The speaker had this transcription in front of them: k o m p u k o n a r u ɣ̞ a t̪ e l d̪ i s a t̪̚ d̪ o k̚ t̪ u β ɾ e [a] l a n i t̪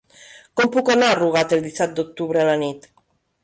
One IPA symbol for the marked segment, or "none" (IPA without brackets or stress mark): a